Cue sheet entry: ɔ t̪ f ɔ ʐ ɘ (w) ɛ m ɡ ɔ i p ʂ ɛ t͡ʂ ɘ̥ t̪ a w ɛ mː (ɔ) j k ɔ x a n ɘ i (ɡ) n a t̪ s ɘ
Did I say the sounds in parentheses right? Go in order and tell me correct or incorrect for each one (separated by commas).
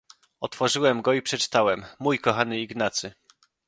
correct, incorrect, correct